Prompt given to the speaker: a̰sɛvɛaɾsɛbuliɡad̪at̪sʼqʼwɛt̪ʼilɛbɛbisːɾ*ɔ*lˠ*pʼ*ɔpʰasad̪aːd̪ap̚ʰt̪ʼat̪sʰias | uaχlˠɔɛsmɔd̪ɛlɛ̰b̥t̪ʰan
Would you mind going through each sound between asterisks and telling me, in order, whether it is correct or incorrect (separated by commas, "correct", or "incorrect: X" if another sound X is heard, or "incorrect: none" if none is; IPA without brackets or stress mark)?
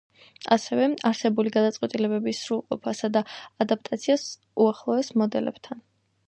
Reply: incorrect: u, incorrect: qʼ